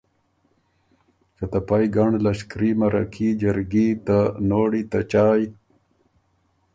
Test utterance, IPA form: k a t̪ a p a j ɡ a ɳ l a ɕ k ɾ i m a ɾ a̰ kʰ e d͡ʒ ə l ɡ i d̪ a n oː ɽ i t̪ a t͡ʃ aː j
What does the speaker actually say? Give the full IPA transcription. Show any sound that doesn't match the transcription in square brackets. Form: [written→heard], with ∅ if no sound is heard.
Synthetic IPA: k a t̪ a p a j ɡ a ɳ l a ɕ k ɾ i m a ɾ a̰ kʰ [e→i] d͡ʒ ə [l→ɾ] ɡ i [d̪→t̪] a n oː ɽ i t̪ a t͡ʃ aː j